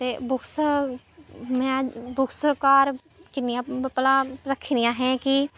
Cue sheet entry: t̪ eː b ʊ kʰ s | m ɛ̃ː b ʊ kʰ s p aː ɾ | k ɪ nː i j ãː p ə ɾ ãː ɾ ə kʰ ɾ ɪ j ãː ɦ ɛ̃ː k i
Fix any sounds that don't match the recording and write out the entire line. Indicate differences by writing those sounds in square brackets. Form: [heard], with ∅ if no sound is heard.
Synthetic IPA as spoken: t̪ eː b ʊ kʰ s | m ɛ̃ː b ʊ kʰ s [k] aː ɾ | k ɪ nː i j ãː p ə [l] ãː ɾ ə kʰ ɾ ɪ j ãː ɦ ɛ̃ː k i